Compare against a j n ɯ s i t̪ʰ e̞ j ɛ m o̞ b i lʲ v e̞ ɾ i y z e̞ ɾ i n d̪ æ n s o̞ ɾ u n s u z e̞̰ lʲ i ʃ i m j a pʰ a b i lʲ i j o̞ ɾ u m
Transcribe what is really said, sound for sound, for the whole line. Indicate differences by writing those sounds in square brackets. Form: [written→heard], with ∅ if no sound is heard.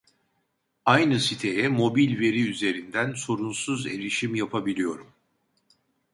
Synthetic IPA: a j n ɯ s i t̪ʰ e̞ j ɛ m o̞ b i lʲ v e̞ ɾ i y z e̞ ɾ i n d̪ æ n s o̞ ɾ u n s u z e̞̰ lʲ i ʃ i m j a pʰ a b i lʲ i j o̞ ɾ u m